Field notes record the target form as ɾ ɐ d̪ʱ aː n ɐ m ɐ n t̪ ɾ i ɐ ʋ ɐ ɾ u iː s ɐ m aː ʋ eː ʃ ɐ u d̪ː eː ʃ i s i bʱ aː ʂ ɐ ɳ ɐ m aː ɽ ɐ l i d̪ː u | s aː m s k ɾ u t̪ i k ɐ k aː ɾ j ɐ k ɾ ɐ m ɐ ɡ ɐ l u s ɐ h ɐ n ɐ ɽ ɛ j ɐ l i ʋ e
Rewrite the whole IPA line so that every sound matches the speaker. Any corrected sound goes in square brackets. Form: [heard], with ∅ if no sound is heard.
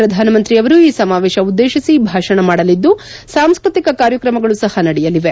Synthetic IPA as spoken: ɾ ɐ d̪ʱ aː n ɐ m ɐ n t̪ ɾ i ɐ ʋ ɐ ɾ u iː s ɐ m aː ʋ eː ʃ ɐ u d̪ː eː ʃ i s i bʱ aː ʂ ɐ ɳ ɐ m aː ɽ ɐ l i d̪ː u | s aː m s k ɾ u t̪ i k ɐ k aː ɾ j ɐ k ɾ ɐ m ɐ ɡ ɐ [ɭ] u s ɐ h ɐ n ɐ ɽ ɛ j ɐ l i ʋ e